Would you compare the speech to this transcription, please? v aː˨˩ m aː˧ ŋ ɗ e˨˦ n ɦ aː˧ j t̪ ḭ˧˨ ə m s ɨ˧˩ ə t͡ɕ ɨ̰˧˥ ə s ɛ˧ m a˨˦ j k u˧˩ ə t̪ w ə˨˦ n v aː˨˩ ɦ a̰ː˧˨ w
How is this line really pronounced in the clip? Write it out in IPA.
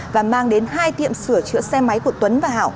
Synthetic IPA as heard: v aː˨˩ m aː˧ ŋ ɗ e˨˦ n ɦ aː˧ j t̪ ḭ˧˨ ə m s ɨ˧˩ ə t͡ɕ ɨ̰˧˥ ə s ɛ˧ m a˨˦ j k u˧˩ ə t̪ w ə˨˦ n v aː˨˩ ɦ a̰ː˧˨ w